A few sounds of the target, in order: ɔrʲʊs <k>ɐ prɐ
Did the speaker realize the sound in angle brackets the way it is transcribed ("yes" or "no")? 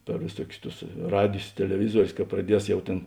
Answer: yes